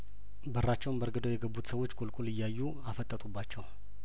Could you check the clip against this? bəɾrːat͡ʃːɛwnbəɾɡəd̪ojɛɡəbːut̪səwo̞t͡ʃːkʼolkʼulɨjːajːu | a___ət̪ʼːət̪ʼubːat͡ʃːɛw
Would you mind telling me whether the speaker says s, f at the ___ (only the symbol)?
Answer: f